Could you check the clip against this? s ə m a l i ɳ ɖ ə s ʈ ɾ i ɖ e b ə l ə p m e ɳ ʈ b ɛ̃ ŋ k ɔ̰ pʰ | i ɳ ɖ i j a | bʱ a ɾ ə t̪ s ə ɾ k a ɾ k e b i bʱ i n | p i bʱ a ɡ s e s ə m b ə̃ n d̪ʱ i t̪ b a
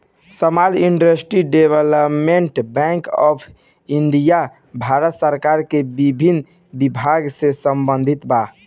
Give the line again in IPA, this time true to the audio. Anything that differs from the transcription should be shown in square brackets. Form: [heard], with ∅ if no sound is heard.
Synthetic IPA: s ə m a l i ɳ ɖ ə s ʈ ɾ i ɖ e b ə l ə p m e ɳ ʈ b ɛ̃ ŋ k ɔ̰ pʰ | i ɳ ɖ i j a | bʱ a ɾ ə t̪ s ə ɾ k a ɾ k e b i bʱ i n | [b] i bʱ a ɡ s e s ə m b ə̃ n d̪ʱ i t̪ b a